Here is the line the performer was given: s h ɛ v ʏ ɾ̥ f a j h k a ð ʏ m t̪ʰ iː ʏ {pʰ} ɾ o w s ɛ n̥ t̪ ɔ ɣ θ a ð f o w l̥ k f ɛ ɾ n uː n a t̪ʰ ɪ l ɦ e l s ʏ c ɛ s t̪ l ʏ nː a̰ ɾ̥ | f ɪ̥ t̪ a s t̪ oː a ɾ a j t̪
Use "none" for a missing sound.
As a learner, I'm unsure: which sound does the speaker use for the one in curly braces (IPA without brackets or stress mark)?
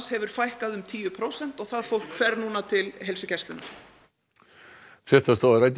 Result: pʰ